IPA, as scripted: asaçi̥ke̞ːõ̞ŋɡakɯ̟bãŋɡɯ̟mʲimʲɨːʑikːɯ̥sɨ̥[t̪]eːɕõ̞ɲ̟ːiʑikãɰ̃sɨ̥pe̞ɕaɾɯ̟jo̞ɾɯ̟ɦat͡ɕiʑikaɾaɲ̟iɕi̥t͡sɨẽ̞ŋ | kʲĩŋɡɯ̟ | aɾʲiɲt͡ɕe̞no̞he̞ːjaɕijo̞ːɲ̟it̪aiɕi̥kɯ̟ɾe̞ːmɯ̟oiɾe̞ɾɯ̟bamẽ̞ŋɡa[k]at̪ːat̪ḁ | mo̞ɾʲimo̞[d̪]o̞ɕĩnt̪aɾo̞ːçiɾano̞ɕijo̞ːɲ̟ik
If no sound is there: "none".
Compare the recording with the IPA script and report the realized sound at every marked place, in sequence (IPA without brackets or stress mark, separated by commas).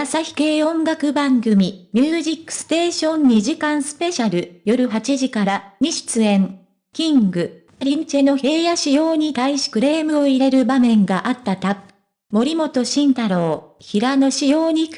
t̪, ʔ, t̪